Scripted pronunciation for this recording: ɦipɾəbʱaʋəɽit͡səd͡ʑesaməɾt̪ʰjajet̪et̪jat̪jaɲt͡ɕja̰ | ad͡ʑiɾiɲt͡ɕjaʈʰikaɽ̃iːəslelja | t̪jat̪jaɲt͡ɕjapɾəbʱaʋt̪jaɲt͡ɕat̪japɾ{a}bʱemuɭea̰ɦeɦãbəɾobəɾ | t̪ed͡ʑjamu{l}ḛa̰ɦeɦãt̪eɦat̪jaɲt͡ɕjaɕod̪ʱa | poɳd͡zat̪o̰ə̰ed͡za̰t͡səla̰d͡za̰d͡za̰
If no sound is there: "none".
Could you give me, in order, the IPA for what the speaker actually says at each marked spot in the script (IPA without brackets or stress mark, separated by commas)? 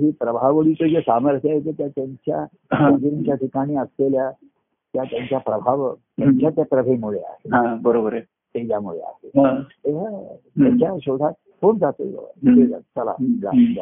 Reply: ə, ɭ